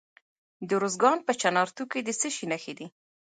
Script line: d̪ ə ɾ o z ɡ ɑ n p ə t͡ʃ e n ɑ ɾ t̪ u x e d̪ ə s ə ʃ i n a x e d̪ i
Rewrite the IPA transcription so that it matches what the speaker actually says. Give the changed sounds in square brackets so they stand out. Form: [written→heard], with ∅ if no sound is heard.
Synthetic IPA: d̪ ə ɾ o z ɡ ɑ n p ə t͡ʃ [e→a] n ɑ ɾ t̪ u [x→k] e d̪ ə s ə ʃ i n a x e d̪ i